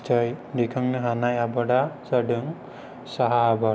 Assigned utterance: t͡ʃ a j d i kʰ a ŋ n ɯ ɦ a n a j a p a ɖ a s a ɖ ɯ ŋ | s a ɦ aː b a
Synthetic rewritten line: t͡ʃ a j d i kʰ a ŋ n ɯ ɦ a n a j a b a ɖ a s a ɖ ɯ ŋ | s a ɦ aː b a